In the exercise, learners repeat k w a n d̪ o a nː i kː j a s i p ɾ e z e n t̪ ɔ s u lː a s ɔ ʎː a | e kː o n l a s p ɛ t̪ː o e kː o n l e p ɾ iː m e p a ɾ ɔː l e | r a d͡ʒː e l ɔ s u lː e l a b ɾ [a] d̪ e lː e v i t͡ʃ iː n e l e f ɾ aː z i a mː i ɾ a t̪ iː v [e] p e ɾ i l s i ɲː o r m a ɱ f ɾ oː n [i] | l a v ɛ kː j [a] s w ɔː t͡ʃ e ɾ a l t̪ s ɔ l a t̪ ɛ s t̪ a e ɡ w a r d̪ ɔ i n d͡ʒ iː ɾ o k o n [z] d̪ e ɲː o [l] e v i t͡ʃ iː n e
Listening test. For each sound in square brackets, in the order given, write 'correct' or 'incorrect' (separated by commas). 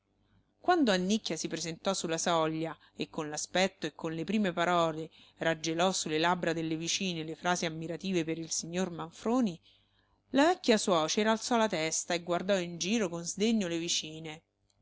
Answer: correct, correct, correct, correct, correct, correct